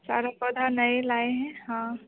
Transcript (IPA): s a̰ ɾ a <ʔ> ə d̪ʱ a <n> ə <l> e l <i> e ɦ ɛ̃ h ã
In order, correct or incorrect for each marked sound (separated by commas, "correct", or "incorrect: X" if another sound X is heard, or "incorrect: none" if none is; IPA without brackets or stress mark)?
incorrect: p, correct, incorrect: none, incorrect: a